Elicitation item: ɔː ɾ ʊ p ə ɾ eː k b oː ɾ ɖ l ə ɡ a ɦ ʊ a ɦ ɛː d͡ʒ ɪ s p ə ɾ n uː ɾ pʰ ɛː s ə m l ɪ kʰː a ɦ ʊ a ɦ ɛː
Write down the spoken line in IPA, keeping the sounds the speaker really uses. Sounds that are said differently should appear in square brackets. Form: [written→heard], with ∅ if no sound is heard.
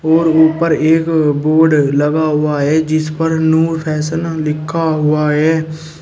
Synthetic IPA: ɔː ɾ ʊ p ə ɾ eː k b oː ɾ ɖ l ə ɡ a ɦ ʊ a ɦ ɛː d͡ʒ ɪ s p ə ɾ n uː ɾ pʰ ɛː s ə [m→n] l ɪ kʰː a ɦ ʊ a ɦ ɛː